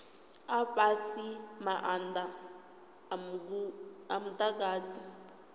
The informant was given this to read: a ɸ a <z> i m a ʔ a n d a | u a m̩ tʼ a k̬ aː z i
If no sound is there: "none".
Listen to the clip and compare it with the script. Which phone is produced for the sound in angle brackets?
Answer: s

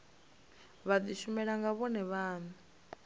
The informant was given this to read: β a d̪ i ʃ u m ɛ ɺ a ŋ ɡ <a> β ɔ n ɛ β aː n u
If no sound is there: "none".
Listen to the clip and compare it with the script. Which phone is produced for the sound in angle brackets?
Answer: a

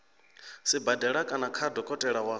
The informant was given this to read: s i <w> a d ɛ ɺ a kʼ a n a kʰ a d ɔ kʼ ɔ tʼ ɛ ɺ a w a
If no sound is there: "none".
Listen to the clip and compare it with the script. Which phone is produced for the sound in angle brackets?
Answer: b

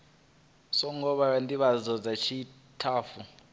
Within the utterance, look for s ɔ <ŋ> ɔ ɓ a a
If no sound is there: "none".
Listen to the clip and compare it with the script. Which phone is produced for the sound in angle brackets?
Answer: ŋ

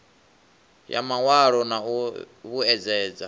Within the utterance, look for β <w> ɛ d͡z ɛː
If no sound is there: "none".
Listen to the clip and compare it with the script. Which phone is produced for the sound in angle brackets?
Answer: u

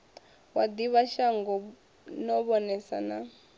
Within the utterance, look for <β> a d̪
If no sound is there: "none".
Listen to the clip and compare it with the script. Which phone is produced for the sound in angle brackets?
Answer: w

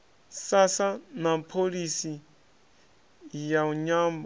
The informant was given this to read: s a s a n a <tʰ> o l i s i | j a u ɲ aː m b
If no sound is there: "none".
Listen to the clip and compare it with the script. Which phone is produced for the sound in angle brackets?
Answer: pʰ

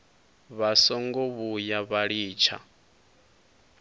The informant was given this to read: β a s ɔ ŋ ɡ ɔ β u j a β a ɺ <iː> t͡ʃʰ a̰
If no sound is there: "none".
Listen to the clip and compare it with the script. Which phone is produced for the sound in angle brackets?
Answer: iː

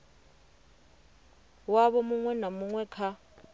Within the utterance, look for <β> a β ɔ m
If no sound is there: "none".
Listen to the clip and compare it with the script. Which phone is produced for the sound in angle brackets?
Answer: w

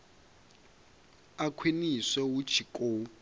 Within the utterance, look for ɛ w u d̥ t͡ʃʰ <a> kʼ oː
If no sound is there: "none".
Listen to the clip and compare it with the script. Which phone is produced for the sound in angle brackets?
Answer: i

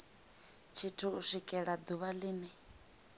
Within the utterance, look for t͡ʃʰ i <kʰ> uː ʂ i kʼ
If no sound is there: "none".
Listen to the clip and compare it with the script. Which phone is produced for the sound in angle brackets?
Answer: tʰ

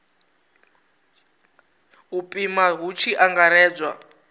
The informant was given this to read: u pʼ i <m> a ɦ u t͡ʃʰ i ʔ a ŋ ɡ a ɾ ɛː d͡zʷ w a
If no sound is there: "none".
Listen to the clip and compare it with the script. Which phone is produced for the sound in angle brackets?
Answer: m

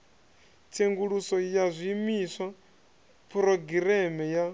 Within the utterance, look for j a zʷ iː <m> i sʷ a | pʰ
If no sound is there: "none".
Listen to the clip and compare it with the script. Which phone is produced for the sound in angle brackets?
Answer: m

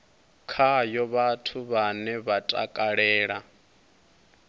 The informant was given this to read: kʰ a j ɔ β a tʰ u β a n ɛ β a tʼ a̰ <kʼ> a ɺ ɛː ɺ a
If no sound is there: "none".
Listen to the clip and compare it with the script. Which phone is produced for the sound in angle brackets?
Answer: kʼ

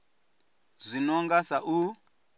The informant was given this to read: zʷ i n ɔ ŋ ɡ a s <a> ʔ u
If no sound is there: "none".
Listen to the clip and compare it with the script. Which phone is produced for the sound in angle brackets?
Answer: a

